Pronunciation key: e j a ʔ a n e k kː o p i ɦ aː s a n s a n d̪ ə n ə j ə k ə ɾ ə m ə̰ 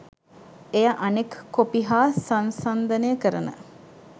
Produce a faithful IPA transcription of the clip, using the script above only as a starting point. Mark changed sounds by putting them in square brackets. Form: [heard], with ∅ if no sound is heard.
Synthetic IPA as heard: e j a ʔ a n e k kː o p i ɦ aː s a n s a n d̪ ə n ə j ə k ə ɾ ə [n] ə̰